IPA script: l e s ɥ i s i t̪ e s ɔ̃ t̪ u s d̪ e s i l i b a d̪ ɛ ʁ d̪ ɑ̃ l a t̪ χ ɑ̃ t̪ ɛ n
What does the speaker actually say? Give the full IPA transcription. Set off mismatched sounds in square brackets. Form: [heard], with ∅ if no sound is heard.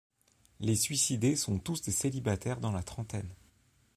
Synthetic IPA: l e s ɥ i s i [d̪] e s ɔ̃ t̪ u s d̪ e s [e] l i b a [t̪] ɛ ʁ d̪ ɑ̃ l a t̪ χ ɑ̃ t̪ ɛ n